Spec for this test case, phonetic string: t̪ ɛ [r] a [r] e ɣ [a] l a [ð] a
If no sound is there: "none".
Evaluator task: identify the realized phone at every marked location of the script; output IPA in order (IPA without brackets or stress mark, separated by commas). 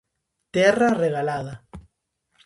r, r, a, ð